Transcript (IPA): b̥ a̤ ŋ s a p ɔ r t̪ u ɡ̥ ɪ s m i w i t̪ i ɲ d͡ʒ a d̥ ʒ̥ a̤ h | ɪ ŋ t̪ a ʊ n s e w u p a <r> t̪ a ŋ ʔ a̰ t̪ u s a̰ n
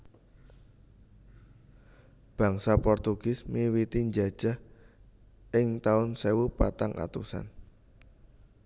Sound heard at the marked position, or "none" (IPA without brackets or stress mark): none